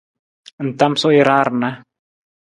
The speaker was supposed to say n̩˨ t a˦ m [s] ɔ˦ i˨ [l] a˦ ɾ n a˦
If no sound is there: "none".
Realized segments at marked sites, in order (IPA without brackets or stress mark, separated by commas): s, ɾ